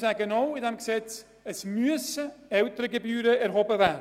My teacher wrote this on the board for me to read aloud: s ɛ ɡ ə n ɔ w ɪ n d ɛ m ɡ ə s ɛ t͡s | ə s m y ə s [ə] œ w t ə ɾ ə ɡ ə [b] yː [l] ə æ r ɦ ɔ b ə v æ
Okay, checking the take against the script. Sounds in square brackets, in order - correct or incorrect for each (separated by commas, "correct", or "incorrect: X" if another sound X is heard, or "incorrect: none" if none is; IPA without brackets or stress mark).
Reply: correct, correct, incorrect: ɾ